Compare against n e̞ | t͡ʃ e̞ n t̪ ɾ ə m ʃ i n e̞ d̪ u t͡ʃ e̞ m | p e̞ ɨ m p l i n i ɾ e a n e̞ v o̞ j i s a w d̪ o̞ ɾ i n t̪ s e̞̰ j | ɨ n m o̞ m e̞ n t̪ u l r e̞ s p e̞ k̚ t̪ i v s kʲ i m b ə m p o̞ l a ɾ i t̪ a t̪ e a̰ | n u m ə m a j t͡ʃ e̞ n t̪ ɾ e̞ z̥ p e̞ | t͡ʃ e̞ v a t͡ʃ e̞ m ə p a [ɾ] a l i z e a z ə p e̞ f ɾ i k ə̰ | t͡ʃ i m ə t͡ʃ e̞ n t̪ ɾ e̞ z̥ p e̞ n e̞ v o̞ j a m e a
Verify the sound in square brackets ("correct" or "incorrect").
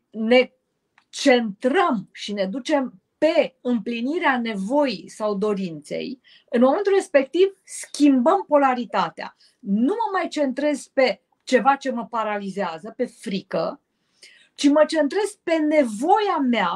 correct